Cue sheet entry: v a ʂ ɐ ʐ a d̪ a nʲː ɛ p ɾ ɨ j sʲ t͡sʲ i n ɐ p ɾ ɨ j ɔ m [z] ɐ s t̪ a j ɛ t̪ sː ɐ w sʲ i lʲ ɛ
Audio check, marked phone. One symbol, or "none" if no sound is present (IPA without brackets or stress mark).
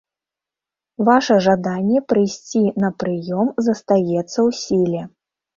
z